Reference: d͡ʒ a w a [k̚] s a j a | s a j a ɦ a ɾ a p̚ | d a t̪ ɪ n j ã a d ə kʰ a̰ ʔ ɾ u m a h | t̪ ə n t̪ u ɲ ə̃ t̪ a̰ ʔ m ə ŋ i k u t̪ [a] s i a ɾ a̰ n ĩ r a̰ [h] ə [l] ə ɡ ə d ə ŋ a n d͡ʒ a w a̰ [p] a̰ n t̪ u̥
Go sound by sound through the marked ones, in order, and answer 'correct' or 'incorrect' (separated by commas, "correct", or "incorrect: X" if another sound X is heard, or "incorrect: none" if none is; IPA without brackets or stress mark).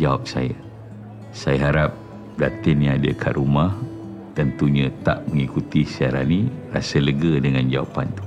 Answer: incorrect: p̚, incorrect: i, incorrect: s, correct, correct